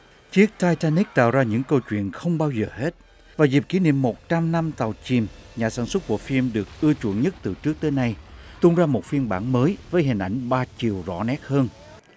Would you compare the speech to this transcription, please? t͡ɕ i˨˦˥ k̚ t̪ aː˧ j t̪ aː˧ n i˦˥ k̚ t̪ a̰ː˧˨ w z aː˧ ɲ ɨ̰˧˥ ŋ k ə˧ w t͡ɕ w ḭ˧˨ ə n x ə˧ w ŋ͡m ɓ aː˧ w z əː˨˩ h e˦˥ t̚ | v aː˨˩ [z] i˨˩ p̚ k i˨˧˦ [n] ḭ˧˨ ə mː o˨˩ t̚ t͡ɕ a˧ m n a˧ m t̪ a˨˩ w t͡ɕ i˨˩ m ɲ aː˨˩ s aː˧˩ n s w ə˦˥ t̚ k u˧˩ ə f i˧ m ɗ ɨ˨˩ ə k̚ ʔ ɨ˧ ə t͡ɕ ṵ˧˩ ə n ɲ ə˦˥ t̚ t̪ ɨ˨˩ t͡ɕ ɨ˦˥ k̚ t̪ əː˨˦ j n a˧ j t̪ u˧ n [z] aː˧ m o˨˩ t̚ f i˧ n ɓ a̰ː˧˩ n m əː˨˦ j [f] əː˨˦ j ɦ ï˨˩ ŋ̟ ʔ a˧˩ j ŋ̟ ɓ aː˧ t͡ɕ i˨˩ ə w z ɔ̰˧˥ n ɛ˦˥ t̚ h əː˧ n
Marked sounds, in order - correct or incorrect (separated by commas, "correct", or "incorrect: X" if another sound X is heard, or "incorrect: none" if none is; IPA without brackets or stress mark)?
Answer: correct, correct, correct, incorrect: v